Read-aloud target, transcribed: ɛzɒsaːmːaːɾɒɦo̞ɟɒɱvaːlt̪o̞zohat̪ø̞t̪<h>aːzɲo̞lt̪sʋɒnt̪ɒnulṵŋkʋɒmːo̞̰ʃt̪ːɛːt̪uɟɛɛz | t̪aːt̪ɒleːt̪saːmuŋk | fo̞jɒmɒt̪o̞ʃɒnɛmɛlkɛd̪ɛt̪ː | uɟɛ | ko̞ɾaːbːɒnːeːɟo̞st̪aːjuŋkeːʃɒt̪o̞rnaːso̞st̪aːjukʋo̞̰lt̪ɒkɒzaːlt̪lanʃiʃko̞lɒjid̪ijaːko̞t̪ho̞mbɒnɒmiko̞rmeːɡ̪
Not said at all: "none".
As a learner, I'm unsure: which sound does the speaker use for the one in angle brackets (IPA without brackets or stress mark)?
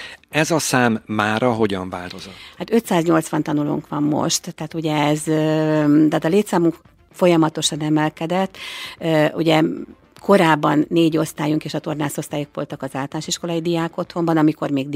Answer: s